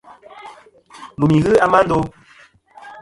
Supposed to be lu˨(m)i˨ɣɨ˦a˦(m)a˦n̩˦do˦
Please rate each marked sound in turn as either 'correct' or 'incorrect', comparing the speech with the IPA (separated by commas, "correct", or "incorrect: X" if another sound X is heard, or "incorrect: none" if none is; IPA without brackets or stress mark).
correct, correct